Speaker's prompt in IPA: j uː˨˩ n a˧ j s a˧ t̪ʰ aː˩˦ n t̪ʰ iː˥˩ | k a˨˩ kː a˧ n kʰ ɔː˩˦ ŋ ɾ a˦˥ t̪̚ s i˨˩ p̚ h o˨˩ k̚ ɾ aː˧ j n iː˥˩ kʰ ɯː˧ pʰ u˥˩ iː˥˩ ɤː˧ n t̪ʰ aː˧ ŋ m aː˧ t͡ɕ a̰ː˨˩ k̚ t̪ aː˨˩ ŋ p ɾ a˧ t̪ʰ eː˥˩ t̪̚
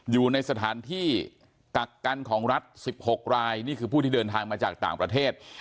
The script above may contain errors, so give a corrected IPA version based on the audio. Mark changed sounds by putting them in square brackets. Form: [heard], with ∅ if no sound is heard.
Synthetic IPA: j uː˨˩ n a˧ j s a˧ t̪ʰ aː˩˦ n t̪ʰ iː˥˩ | k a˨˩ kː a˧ n kʰ ɔː˩˦ ŋ ɾ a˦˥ t̪̚ s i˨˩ p̚ h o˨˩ k̚ ɾ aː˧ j n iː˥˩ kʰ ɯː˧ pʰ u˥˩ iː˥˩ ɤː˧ n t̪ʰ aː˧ ŋ m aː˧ t͡ɕ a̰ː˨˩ k̚ t̪ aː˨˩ ŋ p ɾ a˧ t̪ʰ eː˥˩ t̪̚